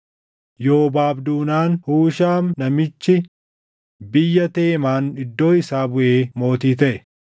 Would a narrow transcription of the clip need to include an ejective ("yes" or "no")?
no